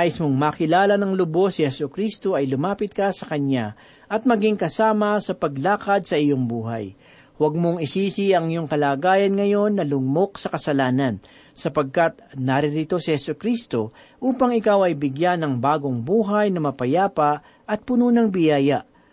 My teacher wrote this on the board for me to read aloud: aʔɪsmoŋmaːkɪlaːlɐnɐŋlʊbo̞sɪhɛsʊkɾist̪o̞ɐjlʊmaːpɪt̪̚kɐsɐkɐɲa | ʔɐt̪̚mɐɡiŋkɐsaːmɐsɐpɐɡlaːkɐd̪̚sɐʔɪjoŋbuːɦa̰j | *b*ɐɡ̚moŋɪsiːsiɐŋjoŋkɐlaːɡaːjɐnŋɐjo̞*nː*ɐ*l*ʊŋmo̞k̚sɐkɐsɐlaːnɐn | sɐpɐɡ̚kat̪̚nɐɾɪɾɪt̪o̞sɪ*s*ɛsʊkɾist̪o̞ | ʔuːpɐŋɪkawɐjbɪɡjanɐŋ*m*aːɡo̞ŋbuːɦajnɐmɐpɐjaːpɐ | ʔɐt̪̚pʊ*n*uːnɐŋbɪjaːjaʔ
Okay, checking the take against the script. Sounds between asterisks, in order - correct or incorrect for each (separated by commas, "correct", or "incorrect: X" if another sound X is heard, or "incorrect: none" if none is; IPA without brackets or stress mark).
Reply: incorrect: w, correct, correct, incorrect: h, incorrect: b, correct